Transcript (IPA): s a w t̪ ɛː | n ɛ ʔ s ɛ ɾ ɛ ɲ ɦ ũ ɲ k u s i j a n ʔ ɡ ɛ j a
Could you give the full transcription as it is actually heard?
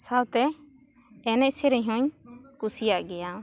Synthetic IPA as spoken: s a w t̪ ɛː | n ɛ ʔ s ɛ ɾ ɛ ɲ ɦ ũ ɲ k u s i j a ʔ ɡ ɛ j a